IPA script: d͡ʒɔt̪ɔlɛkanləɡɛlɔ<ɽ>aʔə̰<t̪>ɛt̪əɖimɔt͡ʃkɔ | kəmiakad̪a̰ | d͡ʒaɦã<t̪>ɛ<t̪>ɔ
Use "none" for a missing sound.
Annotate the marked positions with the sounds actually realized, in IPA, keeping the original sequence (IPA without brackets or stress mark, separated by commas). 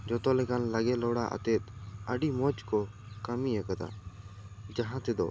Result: ɽ, t̪, t̪, d̪